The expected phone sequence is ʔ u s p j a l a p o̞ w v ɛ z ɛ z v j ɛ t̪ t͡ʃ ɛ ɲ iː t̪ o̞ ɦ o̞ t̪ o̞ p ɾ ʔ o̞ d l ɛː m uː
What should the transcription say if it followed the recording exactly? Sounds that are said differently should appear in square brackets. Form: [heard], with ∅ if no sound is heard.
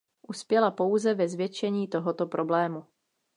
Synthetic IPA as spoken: ʔ u s p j [ɛ] l a p o̞ w [z] ɛ [v] ɛ z v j ɛ [∅] t͡ʃ ɛ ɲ iː t̪ o̞ ɦ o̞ t̪ o̞ p ɾ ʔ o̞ [b] l ɛː m [u]

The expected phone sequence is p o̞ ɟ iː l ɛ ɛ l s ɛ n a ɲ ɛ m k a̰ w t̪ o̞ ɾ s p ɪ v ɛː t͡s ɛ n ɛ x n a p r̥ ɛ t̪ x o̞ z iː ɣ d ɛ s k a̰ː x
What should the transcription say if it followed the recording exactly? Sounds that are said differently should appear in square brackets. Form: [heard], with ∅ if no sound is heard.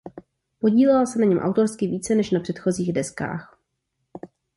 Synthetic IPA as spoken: p o̞ ɟ iː l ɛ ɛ l s ɛ n a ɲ ɛ m [ʔ] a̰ w t̪ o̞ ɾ s [k] ɪ v [iː] t͡s ɛ n ɛ [ʃ] n a p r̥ ɛ t̪ x o̞ z iː ɣ d ɛ s k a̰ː x

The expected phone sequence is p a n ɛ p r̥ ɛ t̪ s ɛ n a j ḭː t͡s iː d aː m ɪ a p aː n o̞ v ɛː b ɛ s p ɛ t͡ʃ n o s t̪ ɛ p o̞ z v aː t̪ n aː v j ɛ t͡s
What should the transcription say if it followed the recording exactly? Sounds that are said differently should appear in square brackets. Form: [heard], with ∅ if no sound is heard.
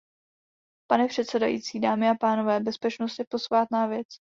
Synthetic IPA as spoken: p a n ɛ p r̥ ɛ t̪ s ɛ [d] a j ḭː t͡s iː d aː m ɪ a p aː n o̞ v ɛː b ɛ s p ɛ t͡ʃ n o s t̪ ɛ p o̞ [s] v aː t̪ n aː v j ɛ t͡s

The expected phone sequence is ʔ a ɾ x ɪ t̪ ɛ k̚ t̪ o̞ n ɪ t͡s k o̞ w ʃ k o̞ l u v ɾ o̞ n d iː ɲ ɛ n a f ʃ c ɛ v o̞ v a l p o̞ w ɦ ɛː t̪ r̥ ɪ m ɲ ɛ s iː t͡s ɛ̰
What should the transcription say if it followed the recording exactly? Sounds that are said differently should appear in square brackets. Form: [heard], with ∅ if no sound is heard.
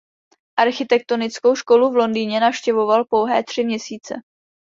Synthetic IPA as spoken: ʔ a ɾ x ɪ t̪ ɛ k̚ t̪ o̞ n ɪ t͡s k o̞ w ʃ k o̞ l u v [l] o̞ n d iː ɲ ɛ n a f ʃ c ɛ v o̞ v a l p o̞ w ɦ ɛː t̪ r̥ ɪ m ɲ ɛ s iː t͡s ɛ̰

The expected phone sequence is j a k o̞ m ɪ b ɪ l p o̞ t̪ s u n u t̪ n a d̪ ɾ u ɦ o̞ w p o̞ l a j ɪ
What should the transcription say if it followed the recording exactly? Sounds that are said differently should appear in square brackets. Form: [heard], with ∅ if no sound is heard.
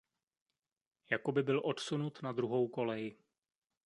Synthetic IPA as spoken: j a k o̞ [b] ɪ b ɪ l [ʔ] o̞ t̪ s u n u t̪ n a d̪ ɾ u ɦ o̞ w [k] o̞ l [ɛ] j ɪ

